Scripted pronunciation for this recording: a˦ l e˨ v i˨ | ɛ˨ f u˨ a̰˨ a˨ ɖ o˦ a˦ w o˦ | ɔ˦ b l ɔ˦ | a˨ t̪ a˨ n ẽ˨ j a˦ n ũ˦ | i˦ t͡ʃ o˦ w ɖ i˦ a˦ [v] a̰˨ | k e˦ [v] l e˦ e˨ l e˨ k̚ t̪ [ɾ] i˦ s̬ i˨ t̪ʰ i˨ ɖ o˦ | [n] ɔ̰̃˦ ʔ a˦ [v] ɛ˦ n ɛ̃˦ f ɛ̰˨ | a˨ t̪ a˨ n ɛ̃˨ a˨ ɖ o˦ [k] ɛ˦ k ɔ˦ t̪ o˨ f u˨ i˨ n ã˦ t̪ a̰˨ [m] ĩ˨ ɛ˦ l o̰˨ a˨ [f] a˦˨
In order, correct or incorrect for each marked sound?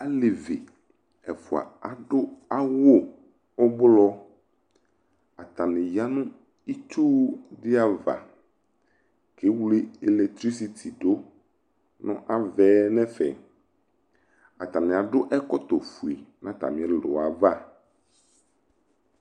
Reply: correct, incorrect: w, correct, correct, correct, incorrect: ʔ, correct, incorrect: v

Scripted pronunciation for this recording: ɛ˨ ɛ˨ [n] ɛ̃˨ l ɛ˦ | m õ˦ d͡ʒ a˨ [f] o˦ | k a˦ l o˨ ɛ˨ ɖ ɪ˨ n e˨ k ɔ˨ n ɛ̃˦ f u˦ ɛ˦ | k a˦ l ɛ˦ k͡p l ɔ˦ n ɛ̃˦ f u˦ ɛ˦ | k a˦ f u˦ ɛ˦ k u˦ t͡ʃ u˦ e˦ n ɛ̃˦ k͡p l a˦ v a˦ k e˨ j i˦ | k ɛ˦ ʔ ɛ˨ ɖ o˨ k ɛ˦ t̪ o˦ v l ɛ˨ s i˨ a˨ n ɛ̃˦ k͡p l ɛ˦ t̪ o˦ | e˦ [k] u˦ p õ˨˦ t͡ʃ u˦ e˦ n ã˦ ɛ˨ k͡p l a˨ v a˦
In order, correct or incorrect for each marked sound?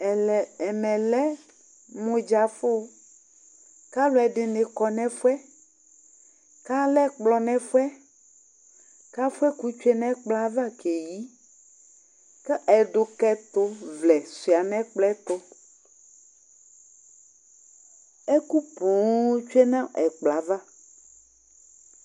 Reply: incorrect: m, correct, correct

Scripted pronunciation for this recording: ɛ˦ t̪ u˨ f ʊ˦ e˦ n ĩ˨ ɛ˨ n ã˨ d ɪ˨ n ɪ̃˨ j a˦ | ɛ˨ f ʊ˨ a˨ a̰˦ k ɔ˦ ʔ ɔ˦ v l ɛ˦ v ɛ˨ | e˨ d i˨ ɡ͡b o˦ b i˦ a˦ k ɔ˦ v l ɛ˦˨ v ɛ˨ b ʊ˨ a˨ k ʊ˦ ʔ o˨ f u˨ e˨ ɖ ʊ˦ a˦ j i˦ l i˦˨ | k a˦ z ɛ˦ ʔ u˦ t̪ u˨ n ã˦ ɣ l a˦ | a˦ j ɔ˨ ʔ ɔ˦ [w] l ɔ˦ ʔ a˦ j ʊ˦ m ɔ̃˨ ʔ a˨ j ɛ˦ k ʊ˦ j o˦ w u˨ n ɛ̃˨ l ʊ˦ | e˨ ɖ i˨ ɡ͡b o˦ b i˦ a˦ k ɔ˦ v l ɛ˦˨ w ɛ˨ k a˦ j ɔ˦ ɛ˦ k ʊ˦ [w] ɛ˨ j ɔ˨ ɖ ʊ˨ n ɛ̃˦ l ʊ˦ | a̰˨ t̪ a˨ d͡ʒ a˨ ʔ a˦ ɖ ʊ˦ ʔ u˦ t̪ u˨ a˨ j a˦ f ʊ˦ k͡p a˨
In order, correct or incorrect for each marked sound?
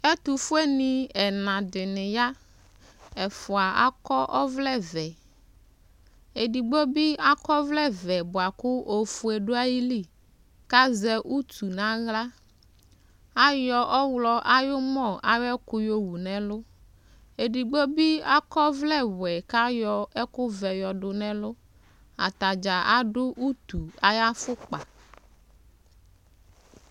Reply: correct, incorrect: v

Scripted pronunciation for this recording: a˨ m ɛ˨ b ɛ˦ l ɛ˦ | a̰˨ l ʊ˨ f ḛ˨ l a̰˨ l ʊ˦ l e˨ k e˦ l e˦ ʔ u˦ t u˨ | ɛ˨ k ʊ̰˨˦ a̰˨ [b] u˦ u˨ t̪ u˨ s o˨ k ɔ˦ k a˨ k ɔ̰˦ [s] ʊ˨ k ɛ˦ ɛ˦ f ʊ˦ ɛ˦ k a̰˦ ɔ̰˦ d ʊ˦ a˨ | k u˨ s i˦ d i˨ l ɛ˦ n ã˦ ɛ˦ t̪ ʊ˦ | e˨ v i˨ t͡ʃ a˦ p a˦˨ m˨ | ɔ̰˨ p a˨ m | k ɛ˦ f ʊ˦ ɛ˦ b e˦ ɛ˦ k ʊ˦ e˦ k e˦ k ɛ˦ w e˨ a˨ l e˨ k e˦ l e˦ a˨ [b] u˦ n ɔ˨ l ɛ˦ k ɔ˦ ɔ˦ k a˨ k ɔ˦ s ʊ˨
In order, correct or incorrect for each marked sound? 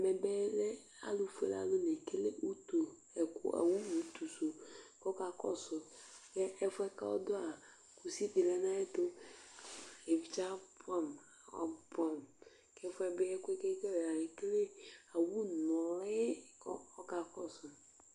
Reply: incorrect: w, correct, incorrect: w

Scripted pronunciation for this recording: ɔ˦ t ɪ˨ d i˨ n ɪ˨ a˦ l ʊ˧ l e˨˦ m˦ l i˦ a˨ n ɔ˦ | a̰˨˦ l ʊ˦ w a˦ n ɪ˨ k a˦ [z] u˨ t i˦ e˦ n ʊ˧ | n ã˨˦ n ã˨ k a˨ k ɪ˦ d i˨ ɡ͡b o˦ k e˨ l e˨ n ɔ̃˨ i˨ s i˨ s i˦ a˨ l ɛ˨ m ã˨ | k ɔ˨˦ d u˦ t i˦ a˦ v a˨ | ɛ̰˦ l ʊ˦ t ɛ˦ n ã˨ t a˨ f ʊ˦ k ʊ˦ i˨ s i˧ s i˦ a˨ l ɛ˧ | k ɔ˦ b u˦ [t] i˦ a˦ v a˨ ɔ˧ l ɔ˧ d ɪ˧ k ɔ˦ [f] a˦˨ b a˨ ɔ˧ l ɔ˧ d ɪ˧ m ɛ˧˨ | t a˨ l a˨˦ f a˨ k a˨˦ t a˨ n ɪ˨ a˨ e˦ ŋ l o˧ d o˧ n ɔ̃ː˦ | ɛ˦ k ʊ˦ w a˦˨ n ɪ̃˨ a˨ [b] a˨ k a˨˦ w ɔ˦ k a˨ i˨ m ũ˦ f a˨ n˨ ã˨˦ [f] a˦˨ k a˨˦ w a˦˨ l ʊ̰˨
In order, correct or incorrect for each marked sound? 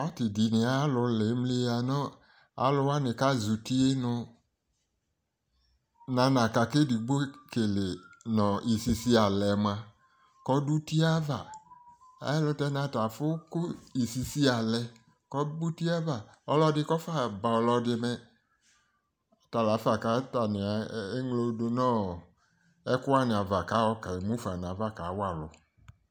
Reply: correct, correct, correct, incorrect: v, incorrect: v

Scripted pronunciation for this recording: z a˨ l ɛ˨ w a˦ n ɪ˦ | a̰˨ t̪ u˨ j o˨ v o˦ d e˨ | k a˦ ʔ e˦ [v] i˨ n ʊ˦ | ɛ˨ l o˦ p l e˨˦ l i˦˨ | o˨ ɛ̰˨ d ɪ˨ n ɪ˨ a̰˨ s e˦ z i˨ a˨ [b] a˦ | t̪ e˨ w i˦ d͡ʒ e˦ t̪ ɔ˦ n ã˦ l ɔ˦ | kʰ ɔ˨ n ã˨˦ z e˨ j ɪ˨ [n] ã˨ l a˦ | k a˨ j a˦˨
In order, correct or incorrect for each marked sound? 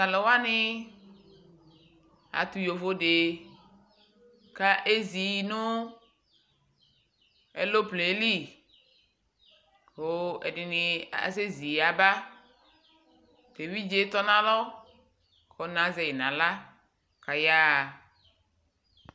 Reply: incorrect: z, correct, correct

